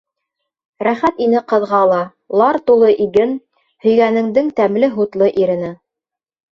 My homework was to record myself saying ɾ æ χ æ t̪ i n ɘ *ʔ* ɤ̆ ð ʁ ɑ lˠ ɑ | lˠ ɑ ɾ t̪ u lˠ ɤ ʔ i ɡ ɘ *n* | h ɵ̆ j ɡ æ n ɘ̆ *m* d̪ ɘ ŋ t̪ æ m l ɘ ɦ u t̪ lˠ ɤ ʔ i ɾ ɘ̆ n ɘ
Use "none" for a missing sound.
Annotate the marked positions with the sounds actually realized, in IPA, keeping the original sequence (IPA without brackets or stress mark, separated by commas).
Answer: q, n, ŋ